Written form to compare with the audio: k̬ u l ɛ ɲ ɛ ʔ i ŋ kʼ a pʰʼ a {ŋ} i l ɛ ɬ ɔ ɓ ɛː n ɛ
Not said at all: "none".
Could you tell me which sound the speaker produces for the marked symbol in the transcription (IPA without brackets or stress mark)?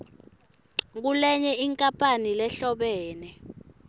n